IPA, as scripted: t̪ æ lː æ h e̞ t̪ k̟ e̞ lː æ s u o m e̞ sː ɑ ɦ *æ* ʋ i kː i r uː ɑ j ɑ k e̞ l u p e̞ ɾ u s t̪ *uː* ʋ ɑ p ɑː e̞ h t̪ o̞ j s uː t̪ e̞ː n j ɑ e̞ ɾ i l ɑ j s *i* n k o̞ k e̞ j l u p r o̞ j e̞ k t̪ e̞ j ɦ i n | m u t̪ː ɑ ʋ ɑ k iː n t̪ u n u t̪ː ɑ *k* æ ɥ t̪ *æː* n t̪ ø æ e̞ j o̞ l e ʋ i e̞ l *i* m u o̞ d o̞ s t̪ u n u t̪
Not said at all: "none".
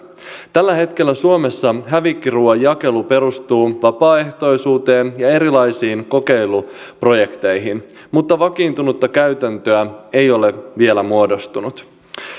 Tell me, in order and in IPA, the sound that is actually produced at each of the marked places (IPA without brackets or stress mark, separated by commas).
æ, uː, iː, k, æ, æ